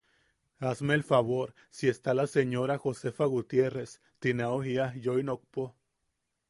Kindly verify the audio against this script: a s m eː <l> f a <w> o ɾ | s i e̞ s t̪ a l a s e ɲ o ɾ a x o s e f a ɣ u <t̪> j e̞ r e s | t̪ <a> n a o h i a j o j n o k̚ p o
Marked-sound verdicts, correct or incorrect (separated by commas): correct, incorrect, correct, incorrect